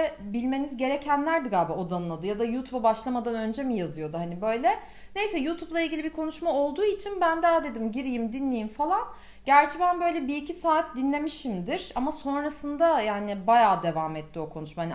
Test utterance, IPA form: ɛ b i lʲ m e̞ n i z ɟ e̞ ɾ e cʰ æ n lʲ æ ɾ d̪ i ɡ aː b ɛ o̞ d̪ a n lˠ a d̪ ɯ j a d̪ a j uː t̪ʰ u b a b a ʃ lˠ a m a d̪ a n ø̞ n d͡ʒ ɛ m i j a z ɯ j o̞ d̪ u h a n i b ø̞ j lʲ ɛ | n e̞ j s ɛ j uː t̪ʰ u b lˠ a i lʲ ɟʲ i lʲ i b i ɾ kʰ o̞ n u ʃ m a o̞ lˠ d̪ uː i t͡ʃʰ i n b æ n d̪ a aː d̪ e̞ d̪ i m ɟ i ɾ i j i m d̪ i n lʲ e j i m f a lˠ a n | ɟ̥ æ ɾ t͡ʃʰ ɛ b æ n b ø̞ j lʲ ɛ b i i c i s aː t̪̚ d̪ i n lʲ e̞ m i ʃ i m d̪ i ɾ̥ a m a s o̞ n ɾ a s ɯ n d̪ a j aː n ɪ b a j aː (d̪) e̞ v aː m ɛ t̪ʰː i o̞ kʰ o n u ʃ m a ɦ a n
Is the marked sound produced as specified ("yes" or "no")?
yes